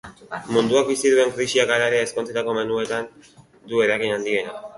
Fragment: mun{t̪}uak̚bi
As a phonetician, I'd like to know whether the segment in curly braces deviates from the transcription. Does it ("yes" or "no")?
yes